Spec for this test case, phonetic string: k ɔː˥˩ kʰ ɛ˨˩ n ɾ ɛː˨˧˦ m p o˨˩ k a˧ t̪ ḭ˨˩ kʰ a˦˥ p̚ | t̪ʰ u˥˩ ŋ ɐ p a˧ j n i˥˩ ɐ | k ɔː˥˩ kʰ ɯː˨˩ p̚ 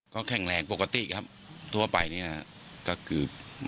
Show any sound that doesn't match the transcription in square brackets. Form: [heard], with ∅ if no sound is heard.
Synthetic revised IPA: k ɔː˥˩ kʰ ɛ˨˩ [ŋ] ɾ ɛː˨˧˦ [ŋ] p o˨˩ k a˧ t̪ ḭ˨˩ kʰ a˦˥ p̚ | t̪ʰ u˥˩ [∅] ɐ p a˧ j n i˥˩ ɐ | k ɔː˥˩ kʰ ɯː˨˩ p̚